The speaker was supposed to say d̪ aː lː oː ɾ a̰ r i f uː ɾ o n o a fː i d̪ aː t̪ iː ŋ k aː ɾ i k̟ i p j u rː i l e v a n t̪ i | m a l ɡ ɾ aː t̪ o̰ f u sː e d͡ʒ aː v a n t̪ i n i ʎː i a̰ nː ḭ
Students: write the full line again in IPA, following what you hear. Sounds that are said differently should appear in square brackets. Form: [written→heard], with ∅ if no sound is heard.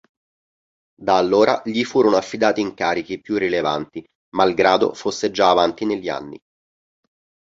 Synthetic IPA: d̪ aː lː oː ɾ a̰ [r→ʎ] i f uː ɾ o n o a fː i d̪ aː t̪ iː ŋ k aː ɾ i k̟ i p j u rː i l e v a n t̪ i | m a l ɡ ɾ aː [t̪→d̪] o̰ f [u→o] sː e d͡ʒ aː v a n t̪ i n [i→e] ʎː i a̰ nː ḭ